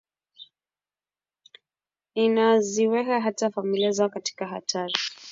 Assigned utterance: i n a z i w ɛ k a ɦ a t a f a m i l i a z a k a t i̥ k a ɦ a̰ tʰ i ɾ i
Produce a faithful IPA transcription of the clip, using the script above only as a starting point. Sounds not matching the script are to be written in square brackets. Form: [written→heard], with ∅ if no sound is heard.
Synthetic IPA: i n a z i w ɛ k a ɦ a t a f a m i l i a z a k a t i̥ k a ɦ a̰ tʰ [i→a] ɾ i